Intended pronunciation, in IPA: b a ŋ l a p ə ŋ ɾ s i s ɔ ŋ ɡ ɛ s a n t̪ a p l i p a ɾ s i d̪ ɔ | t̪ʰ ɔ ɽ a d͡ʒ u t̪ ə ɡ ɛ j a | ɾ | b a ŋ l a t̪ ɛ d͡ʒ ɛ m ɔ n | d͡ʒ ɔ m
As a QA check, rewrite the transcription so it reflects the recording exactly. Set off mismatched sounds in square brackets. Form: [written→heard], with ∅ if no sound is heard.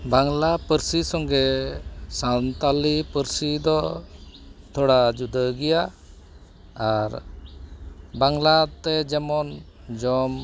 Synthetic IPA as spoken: b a ŋ l a p ə [ŋ→∅] ɾ s i s ɔ ŋ ɡ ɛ s a n t̪ a [p→∅] l i p [a→ə] ɾ s i d̪ ɔ | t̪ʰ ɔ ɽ a d͡ʒ u [t̪→d̪] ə ɡ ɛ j a | ɾ | b a ŋ l a t̪ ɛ d͡ʒ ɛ m ɔ n | d͡ʒ ɔ m